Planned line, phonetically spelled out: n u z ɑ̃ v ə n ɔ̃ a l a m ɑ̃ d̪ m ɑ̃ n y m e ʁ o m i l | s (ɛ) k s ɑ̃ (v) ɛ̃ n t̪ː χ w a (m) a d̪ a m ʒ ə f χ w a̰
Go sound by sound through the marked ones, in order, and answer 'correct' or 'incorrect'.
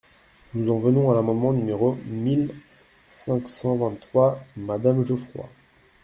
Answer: incorrect, correct, correct

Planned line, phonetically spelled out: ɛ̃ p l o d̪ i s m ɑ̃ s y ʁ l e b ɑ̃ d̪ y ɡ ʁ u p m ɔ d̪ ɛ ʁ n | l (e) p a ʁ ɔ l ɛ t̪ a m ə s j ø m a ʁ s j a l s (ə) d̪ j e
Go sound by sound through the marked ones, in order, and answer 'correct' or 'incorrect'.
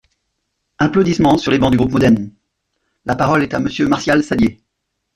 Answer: incorrect, incorrect

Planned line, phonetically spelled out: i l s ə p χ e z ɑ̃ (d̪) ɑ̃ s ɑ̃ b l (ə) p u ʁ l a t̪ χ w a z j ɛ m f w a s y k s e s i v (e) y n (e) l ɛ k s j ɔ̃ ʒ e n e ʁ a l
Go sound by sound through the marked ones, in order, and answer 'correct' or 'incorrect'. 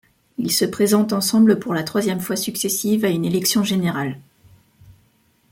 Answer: incorrect, correct, incorrect, correct

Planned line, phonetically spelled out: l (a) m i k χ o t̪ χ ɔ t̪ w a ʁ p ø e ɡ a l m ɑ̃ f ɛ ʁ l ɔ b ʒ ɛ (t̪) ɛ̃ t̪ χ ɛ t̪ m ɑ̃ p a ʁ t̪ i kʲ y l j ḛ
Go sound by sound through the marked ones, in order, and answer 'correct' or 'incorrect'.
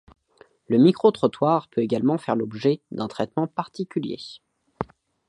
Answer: incorrect, incorrect

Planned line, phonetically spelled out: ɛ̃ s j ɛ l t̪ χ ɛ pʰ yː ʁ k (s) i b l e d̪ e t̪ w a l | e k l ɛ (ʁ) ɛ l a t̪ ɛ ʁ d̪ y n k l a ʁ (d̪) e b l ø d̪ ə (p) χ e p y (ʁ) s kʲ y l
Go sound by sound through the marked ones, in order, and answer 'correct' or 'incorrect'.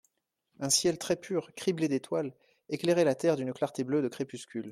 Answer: incorrect, correct, incorrect, incorrect, incorrect

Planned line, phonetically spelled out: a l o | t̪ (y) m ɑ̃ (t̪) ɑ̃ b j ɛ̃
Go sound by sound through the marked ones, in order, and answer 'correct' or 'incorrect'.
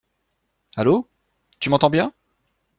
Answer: correct, correct

